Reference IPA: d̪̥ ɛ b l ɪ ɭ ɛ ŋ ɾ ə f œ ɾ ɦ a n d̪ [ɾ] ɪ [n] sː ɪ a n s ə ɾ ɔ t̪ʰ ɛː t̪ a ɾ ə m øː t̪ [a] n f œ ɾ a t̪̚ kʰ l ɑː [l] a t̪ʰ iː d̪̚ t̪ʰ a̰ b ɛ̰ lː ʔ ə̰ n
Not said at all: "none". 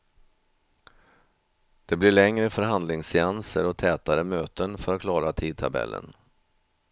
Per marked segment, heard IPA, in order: l, ŋ, ə, ɾ

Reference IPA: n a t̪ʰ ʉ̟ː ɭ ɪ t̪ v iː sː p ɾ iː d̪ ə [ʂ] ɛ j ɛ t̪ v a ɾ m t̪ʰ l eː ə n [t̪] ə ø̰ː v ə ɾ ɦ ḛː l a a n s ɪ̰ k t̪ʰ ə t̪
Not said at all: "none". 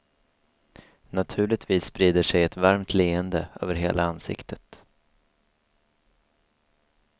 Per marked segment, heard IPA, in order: ʂ, d̪

